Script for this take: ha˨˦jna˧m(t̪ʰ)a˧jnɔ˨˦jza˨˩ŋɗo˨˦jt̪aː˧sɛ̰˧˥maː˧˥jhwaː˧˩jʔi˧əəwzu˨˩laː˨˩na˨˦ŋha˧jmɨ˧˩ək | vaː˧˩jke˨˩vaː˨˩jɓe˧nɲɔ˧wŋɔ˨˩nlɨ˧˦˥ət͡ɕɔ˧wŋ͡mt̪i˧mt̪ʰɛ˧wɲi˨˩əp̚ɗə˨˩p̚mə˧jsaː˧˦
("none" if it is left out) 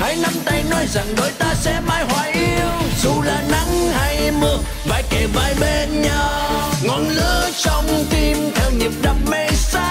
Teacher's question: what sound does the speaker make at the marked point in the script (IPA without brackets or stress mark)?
t̪